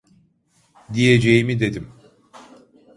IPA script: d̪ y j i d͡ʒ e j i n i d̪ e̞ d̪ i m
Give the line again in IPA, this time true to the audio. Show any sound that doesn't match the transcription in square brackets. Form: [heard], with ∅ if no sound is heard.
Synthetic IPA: d̪ [i] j [e] d͡ʒ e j i [m] i d̪ e̞ d̪ i m